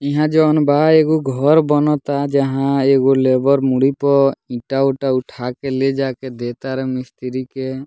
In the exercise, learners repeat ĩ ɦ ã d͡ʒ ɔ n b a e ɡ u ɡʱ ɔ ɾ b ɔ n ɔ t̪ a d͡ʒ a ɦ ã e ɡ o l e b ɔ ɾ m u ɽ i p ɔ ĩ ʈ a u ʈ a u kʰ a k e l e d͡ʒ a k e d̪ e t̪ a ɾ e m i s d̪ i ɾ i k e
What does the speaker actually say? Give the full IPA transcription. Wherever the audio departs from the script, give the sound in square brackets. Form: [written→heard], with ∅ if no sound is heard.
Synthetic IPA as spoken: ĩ ɦ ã d͡ʒ ɔ n b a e ɡ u ɡʱ ɔ ɾ b ɔ n ɔ t̪ a d͡ʒ a ɦ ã e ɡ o l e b ɔ ɾ m u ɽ i p ɔ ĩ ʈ a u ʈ a u [kʰ→ʈʰ] a k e l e d͡ʒ a k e d̪ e t̪ a ɾ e m i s [d̪→t̪] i ɾ i k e